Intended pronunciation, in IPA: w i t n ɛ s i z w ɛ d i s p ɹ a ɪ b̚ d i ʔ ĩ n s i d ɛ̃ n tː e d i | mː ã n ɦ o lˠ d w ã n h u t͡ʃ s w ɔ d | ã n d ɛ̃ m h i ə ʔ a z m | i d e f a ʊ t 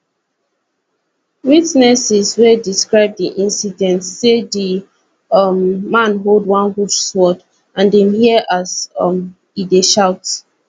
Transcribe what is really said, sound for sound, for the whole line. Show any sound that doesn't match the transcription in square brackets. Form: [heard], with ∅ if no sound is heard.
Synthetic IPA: w i t n ɛ s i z w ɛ d i s [k] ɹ a ɪ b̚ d i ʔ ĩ n s i d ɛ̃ n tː e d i | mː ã n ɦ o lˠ d w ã n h u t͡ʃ s w ɔ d | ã n d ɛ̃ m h i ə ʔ a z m | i d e [ʃ] a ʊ t